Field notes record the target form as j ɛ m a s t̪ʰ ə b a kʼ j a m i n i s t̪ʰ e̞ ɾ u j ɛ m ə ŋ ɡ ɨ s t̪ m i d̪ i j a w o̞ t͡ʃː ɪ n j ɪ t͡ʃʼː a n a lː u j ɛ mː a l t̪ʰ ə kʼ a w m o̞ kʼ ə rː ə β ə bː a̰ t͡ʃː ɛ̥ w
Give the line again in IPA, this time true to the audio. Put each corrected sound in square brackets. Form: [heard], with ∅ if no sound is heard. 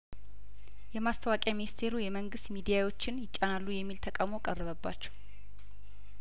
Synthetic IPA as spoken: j ɛ m a s t̪ʰ ə [w] a kʼ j a m i n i s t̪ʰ e̞ ɾ u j ɛ m ə ŋ ɡ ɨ s t̪ m i d̪ i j a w o̞ t͡ʃː ɪ n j ɪ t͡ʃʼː a n a lː u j ɛ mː [i] l t̪ʰ ə kʼ a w m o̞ kʼ ə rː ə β ə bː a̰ t͡ʃː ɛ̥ w

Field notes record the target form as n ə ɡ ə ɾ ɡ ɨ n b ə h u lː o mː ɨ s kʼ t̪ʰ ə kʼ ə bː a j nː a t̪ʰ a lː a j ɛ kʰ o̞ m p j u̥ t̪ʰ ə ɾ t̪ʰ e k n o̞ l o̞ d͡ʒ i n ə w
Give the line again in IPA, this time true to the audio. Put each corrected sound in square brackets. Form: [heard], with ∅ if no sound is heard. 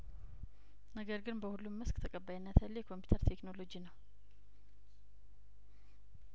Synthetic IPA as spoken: n ə ɡ ə ɾ ɡ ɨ n b ə h u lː [u] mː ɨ s kʼ t̪ʰ ə kʼ ə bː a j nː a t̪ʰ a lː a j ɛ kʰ o̞ m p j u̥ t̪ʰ ə ɾ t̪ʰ e k n o̞ l o̞ d͡ʒ i n ə w

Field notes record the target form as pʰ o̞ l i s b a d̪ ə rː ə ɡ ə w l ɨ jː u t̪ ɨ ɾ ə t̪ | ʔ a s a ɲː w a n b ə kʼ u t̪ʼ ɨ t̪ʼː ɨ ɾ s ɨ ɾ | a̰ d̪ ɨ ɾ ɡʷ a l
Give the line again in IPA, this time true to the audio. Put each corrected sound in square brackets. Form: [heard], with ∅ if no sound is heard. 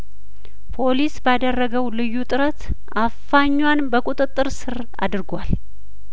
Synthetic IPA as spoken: pʰ o̞ l i s b a d̪ ə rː ə ɡ ə w l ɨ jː u [t̪ʼ] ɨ ɾ ə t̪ | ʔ a [f] a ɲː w a n b ə kʼ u t̪ʼ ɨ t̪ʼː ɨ ɾ s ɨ ɾ | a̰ d̪ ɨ ɾ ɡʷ a l

